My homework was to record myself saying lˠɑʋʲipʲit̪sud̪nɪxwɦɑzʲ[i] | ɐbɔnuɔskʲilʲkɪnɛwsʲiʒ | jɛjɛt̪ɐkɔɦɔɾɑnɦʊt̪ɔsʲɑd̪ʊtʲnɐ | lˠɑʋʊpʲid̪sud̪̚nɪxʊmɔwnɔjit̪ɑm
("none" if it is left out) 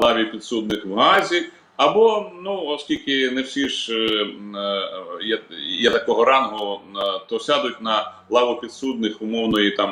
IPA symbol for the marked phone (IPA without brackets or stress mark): i